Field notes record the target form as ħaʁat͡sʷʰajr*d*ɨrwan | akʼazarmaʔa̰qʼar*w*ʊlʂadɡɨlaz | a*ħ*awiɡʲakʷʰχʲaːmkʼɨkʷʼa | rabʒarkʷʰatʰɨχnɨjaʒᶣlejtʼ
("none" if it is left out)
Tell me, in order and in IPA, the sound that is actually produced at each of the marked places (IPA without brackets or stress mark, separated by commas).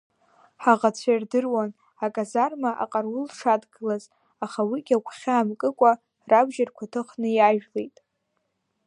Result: d, w, χ